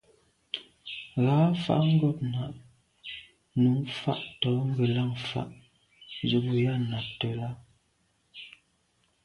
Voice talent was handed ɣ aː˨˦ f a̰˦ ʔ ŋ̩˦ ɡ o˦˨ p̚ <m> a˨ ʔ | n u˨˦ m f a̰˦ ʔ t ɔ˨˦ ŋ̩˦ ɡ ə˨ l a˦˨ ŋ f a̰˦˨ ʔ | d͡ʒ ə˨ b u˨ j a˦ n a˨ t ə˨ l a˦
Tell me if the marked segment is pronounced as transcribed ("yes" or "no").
no